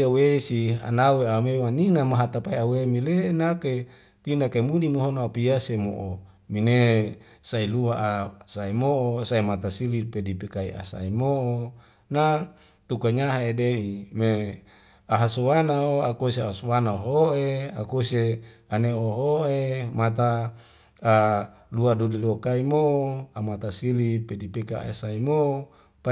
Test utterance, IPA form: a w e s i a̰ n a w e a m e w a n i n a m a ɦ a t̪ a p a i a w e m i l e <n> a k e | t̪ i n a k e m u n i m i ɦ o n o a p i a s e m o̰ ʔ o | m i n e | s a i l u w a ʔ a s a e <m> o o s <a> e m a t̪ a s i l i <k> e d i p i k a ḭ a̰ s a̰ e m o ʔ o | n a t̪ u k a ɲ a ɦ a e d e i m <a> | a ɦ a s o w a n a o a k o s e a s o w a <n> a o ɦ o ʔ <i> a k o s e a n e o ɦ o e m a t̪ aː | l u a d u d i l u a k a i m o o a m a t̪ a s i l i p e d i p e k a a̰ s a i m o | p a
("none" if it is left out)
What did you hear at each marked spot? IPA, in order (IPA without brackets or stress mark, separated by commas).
n, m, a, p, e, n, e